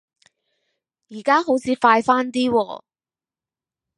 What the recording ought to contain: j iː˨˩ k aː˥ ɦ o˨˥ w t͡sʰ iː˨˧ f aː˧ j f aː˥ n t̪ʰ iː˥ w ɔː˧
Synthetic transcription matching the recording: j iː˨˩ k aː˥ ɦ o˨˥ w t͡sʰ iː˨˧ f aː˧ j f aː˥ n t̪ iː˥ w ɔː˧